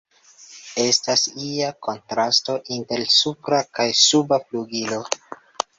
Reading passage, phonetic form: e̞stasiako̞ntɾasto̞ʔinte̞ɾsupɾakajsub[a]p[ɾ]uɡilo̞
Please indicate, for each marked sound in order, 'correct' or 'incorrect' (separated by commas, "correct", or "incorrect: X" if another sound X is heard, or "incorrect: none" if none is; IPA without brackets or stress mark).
correct, incorrect: l